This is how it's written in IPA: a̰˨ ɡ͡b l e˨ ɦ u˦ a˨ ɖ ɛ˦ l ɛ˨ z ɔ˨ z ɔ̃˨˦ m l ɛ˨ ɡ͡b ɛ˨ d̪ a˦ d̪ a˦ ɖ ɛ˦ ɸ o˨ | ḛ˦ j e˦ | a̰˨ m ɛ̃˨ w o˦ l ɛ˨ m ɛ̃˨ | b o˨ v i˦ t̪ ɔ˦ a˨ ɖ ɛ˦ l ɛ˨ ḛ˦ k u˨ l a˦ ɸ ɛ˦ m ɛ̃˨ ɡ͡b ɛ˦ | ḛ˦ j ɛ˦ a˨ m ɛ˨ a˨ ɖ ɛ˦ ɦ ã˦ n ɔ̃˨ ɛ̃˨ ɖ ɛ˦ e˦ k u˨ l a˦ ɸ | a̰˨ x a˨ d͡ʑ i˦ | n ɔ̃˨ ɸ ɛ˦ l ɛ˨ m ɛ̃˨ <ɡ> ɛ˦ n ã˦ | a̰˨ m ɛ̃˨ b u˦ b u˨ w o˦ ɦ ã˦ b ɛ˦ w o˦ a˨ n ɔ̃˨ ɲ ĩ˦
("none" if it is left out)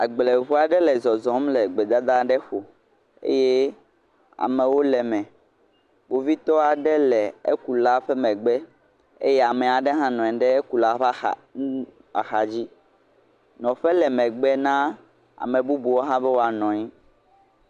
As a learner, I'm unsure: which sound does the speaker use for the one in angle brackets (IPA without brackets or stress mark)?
ɡ͡b